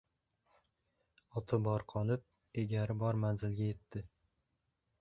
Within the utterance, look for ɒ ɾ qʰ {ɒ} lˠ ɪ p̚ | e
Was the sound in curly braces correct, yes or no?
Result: yes